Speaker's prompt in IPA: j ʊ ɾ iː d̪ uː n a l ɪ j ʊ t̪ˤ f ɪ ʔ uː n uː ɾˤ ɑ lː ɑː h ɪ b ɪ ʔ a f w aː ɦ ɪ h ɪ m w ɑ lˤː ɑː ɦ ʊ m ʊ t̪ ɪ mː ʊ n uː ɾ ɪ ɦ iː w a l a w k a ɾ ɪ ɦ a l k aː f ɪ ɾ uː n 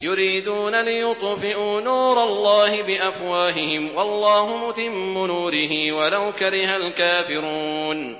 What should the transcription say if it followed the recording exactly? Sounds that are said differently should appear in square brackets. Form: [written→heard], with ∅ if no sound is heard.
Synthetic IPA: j ʊ ɾ iː d̪ uː n a l ɪ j ʊ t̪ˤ f ɪ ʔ uː n uː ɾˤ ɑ lː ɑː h ɪ b ɪ ʔ a f w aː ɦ ɪ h ɪ m w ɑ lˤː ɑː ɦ ʊ m ʊ t̪ ɪ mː ʊ n uː ɾ ɪ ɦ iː w a l a w k a ɾ ɪ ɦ a l k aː f ɪ ɾ uː n